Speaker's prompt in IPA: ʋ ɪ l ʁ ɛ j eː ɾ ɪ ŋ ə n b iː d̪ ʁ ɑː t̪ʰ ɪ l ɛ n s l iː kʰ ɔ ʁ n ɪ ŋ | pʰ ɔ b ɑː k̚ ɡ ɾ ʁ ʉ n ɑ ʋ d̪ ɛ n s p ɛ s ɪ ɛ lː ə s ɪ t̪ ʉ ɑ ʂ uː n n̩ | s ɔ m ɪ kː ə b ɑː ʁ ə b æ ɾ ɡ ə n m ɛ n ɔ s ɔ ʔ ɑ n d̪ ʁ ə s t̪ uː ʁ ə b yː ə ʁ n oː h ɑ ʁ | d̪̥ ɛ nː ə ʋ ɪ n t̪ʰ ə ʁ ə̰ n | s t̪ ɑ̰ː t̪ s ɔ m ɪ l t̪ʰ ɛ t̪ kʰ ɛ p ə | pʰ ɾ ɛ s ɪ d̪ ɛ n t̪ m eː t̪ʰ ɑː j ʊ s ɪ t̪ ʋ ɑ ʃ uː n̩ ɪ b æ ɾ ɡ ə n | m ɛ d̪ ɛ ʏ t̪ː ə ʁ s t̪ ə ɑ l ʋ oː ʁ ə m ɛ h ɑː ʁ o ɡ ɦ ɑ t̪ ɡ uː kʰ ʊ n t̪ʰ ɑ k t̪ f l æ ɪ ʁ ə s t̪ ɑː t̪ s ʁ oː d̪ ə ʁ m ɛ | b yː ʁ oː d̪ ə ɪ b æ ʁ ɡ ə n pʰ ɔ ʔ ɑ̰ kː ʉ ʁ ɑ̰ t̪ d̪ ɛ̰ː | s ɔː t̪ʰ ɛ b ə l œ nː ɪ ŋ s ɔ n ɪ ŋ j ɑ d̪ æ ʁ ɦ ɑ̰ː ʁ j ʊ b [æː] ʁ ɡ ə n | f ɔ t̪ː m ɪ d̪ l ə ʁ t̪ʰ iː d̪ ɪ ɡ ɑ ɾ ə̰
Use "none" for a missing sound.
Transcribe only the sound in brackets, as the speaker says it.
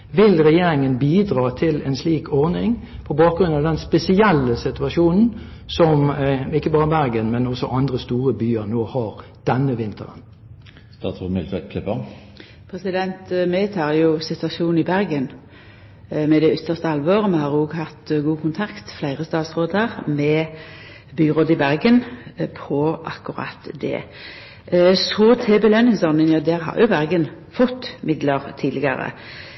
æ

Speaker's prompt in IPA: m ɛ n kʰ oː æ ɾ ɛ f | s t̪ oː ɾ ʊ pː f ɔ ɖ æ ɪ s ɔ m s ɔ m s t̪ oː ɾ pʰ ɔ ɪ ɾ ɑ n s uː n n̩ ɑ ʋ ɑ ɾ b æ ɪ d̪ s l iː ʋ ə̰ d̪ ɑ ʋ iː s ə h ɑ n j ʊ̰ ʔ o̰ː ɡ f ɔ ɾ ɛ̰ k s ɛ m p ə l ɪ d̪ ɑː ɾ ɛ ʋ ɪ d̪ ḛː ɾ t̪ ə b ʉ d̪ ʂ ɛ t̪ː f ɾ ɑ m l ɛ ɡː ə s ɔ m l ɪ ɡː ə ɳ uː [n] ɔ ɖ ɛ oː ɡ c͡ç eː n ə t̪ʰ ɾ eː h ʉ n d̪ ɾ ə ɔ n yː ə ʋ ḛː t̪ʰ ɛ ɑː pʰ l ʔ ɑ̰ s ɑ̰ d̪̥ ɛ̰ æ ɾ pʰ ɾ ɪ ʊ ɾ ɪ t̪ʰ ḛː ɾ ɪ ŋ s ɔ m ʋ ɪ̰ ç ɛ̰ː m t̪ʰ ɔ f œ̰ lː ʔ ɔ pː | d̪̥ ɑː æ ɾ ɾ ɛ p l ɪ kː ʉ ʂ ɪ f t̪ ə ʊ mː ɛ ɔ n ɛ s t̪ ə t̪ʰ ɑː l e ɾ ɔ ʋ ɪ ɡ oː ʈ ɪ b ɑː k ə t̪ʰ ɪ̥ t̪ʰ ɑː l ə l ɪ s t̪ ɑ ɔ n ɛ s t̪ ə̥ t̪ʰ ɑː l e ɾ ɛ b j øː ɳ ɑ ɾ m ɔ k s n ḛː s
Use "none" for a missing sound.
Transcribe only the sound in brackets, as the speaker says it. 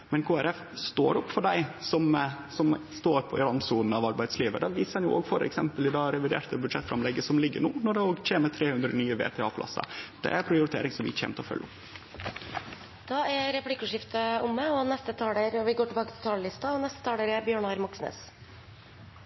n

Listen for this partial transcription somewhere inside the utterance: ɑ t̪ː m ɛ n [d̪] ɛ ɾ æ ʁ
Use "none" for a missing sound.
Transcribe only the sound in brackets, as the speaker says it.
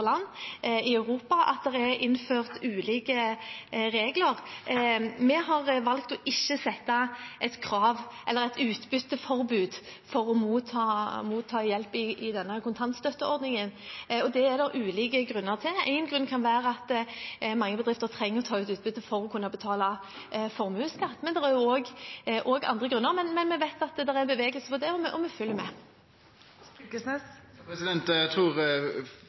d̪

